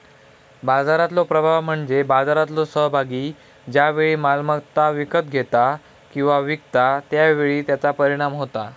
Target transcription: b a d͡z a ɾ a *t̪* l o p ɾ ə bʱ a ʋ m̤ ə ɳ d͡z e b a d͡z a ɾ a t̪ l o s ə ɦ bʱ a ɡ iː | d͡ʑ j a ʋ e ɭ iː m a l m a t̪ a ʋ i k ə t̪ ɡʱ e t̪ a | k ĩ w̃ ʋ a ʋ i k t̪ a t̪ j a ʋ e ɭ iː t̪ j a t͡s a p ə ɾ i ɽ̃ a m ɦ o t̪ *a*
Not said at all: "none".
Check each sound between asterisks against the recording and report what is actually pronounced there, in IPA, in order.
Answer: t̪, a

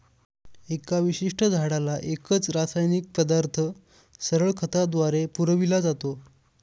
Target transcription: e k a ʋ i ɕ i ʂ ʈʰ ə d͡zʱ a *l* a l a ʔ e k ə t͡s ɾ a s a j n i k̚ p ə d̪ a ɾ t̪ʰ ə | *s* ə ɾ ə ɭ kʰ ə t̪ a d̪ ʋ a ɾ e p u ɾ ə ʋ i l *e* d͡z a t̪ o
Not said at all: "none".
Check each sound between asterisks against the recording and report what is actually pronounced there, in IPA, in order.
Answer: ɽ, s, a

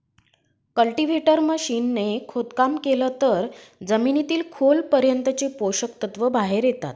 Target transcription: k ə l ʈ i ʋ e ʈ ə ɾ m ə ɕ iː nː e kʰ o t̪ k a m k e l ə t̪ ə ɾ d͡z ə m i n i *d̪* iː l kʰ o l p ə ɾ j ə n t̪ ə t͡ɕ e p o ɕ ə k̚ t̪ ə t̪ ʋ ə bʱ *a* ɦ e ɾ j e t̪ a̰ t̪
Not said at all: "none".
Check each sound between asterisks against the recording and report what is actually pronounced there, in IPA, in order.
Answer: t̪, a

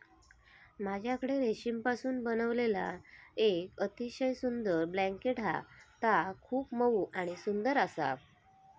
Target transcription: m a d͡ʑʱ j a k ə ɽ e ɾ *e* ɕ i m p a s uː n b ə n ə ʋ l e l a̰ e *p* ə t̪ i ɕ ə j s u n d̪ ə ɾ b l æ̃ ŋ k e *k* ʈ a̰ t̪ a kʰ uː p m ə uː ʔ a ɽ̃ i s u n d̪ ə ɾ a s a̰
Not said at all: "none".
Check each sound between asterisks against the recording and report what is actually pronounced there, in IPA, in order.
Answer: e, k, none

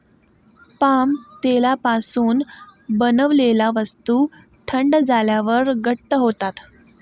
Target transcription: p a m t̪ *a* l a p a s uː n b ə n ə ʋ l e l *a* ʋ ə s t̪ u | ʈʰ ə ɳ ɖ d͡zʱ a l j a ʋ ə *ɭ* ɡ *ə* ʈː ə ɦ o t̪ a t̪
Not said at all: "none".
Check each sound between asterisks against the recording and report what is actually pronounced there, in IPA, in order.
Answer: e, a, ɾ, ə

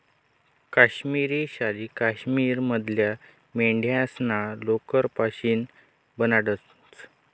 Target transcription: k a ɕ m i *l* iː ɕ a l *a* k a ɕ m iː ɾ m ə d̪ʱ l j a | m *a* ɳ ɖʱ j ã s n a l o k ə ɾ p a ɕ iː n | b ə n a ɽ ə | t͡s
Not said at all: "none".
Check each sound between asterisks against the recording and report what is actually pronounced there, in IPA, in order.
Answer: ɾ, i, e

